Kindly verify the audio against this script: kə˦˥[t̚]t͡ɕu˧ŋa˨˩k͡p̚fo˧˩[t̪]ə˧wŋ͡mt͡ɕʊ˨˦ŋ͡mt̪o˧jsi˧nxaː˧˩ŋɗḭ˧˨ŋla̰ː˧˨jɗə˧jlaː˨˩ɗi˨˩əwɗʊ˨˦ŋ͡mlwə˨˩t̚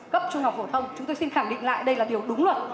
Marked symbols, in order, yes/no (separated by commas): no, no